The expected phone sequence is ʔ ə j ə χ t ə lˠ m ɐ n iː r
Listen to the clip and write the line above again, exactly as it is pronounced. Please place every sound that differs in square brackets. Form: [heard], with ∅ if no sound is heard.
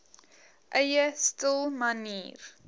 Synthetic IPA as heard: ʔ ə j ə [s] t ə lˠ m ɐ n iː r